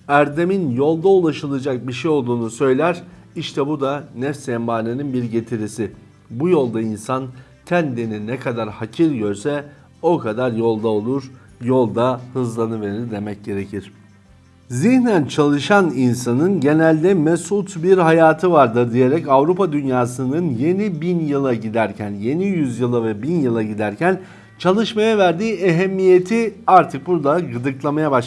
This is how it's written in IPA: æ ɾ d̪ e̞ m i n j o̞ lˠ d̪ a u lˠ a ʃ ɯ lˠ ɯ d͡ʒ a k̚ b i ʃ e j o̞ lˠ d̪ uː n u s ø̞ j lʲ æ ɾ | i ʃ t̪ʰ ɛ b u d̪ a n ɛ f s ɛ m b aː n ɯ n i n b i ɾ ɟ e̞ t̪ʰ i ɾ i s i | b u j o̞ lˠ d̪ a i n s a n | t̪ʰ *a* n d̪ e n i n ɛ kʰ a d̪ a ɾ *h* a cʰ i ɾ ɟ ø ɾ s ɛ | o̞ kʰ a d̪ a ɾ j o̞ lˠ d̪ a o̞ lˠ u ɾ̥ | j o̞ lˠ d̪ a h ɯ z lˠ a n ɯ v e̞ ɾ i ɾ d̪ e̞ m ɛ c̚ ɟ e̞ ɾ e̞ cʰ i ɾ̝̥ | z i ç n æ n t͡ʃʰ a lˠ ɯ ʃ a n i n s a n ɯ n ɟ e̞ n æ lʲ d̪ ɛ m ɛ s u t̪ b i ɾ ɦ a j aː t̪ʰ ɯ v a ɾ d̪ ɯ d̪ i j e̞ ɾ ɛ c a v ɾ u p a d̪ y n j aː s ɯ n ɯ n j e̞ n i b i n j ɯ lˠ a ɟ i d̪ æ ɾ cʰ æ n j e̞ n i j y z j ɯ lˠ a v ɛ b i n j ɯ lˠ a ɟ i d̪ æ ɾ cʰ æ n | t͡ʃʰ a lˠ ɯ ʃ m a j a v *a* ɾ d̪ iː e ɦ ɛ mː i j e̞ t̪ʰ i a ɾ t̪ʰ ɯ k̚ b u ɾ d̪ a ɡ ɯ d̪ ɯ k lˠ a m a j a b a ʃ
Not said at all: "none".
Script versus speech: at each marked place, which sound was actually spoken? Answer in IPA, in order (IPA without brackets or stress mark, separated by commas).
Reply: æ, h, æ